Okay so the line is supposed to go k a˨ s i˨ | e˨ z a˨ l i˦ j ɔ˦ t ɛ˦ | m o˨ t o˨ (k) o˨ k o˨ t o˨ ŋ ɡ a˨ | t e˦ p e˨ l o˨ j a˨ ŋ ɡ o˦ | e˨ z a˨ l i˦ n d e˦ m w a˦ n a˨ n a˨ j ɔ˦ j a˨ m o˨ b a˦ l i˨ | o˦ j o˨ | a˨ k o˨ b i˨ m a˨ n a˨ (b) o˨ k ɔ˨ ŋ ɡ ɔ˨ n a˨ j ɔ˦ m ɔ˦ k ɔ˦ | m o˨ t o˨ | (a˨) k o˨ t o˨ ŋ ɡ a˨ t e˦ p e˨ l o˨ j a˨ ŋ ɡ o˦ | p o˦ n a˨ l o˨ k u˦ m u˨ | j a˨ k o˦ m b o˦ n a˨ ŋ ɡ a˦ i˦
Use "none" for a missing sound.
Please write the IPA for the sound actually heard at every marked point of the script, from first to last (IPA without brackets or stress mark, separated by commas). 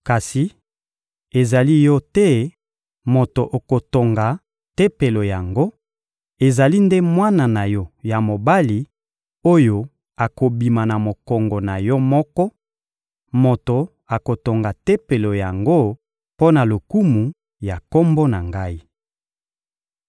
ʔ, m, a˨